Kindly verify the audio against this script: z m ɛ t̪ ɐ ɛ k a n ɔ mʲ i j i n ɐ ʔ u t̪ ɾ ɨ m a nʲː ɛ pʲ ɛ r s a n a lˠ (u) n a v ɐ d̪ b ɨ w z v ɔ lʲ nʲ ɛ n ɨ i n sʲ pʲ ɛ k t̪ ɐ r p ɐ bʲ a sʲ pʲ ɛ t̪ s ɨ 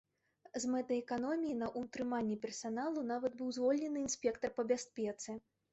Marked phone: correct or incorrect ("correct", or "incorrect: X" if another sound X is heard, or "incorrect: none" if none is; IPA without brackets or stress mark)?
correct